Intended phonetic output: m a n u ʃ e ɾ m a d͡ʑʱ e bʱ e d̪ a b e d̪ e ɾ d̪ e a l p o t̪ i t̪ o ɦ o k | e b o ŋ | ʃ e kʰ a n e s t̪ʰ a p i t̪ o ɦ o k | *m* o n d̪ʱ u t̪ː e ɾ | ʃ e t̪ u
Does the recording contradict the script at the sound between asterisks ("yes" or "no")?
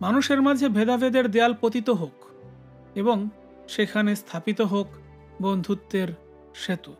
yes